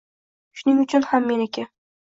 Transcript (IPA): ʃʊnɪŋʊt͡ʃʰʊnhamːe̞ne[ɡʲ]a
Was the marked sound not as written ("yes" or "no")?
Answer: yes